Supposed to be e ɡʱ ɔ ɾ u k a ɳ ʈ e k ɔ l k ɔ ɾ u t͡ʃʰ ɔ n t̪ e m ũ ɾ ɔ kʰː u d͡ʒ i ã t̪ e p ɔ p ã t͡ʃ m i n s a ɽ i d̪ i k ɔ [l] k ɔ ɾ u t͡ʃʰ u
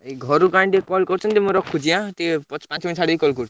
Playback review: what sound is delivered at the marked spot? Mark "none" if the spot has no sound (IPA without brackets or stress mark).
l